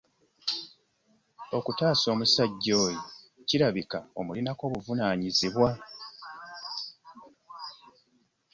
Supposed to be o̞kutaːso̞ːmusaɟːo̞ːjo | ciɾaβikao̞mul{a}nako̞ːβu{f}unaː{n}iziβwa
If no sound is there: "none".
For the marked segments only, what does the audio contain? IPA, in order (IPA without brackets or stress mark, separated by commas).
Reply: i, v, ɲ